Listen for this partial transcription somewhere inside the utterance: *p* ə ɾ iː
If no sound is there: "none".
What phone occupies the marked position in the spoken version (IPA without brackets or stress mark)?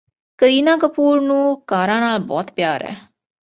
k